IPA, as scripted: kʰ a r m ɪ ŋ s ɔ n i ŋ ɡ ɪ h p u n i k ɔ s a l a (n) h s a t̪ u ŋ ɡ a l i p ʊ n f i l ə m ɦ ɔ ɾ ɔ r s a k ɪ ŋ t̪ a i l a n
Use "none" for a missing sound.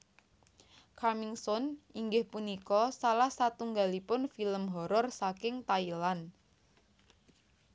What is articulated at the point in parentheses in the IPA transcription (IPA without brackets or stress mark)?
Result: none